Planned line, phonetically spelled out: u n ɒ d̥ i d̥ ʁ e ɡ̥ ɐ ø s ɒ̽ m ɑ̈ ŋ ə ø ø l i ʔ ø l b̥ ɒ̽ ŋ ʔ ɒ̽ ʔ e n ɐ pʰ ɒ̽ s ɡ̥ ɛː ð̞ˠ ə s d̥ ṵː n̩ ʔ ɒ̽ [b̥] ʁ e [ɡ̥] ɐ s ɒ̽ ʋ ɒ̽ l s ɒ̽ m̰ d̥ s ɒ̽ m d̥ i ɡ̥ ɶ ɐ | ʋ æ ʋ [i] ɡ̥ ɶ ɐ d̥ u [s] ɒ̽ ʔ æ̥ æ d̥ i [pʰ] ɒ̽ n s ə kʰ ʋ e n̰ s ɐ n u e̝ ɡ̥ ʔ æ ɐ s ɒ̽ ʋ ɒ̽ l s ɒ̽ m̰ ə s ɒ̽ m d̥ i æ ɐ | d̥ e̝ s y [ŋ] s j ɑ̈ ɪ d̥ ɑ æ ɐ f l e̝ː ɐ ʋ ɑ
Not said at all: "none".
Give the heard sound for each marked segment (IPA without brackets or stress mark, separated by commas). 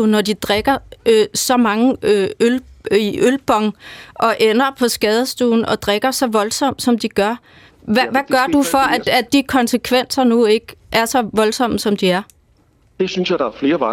d̥, ɡ̥, æ, f, kʰ, n